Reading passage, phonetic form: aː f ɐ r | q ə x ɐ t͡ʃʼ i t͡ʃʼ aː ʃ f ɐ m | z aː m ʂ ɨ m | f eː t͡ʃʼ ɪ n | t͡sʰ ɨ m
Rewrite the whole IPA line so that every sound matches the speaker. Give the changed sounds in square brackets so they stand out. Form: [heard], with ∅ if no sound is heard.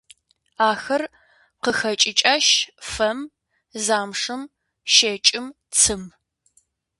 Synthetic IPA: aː [x] ɐ r | q ə x ɐ t͡ʃʼ [ɪ] t͡ʃʼ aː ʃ f ɐ m | z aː m ʂ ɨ m | [ʃ] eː t͡ʃʼ ɪ [m] | t͡sʰ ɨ m